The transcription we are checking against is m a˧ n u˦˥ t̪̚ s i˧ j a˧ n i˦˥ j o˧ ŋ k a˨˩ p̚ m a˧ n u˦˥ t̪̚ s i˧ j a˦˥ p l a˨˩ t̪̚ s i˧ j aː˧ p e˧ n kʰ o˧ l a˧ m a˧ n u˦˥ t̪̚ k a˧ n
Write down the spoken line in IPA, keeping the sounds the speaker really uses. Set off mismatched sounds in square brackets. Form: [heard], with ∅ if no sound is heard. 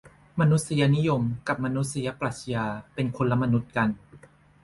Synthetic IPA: m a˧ n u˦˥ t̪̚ s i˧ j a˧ n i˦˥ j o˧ [m] k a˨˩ p̚ m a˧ n u˦˥ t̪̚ s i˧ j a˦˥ p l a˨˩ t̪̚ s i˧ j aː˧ p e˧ n kʰ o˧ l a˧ m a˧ n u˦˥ t̪̚ k a˧ n